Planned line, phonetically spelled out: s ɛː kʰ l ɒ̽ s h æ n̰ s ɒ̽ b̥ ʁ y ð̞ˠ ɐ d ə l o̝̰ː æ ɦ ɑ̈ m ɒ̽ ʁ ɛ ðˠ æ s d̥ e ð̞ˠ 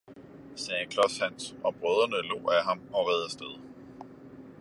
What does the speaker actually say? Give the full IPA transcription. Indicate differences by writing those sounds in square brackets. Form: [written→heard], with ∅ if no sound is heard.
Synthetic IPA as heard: s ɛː kʰ l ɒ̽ s h æ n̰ s ɒ̽ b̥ ʁ [y→œ] ð̞ˠ ɐ [d→n] ə l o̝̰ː æ ɦ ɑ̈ m ɒ̽ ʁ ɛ ðˠ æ s d̥ e ð̞ˠ

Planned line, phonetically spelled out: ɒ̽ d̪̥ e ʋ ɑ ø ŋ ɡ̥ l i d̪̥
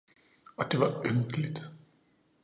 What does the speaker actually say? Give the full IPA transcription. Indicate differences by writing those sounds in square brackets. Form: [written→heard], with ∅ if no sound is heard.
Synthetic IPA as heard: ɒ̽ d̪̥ e ʋ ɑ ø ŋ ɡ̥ l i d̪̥

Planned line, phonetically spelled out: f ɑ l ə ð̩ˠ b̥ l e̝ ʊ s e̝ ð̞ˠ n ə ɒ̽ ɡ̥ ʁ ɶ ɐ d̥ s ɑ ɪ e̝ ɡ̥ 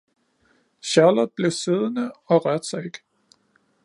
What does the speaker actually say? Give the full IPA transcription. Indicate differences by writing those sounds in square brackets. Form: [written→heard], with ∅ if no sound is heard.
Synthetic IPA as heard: [f→ɕ] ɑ l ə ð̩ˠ b̥ l e̝ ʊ s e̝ ð̞ˠ n ə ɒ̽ [ɡ̥→∅] ʁ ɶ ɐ d̥ s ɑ ɪ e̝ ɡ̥

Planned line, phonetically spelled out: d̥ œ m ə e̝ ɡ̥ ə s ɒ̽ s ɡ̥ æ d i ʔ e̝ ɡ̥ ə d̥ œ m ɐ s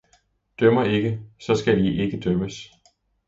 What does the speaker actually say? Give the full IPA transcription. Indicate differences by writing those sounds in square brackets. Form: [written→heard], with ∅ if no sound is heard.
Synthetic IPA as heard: d̥ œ m [ə→ɐ] e̝ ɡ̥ ə s ɒ̽ s ɡ̥ æ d i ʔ e̝ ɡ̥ ə d̥ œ m [ɐ→ə] s

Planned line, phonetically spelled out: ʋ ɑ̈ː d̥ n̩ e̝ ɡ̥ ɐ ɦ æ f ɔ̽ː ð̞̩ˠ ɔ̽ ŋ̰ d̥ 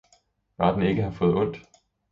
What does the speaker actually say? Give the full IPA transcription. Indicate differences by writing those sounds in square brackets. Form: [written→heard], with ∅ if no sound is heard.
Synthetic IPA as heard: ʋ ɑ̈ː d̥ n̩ e̝ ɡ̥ [ɐ→ə] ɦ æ f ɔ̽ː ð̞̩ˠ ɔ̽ [ŋ̰→n̰] d̥

